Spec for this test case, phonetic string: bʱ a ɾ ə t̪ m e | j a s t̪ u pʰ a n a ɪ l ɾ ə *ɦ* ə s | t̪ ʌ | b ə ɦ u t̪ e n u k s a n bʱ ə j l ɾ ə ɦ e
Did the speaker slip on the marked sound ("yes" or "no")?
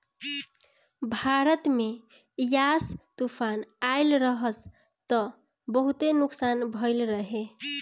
no